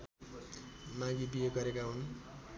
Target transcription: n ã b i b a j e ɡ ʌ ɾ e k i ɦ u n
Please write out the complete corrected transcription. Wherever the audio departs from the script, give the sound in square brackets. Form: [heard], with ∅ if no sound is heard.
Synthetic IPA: [m] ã [ɡ] i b [i] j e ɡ ʌ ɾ e k [a] ɦ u n